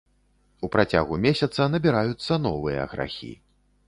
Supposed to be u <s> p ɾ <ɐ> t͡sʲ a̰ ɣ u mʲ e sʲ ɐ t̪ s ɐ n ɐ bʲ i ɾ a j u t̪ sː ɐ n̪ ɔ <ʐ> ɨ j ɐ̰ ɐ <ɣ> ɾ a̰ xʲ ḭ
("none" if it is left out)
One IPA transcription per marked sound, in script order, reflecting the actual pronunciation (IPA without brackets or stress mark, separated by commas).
none, a, v, ɣ